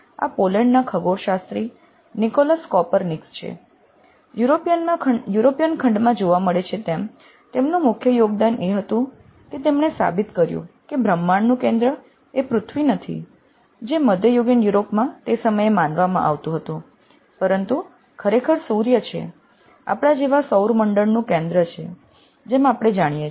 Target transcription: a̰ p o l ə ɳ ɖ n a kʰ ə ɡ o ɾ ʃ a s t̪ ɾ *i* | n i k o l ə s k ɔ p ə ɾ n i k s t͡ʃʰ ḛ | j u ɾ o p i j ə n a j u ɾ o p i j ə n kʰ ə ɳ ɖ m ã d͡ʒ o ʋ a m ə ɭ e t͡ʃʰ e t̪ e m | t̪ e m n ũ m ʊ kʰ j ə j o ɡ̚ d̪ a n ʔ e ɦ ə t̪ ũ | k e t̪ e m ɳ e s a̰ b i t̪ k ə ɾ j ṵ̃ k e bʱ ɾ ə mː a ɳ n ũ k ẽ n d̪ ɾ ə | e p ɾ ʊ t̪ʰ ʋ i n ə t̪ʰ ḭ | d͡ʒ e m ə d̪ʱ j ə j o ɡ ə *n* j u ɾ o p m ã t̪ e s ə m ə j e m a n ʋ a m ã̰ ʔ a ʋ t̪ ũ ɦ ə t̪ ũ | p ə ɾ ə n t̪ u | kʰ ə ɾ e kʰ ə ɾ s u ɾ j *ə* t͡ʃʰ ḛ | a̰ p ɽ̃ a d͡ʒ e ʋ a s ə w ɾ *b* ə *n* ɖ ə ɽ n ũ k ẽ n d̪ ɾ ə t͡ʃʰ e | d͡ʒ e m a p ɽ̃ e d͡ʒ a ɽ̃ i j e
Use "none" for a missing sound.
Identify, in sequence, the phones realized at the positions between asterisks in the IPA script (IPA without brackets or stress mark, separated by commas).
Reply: i, n, ə, m, ɳ